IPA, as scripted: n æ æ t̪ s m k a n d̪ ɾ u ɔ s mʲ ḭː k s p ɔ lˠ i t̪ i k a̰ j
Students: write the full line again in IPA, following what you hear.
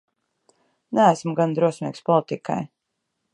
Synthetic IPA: n æ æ s m ɡ a n d̪ ɾ u ɔ s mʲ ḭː k s p ɔ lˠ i t̪ i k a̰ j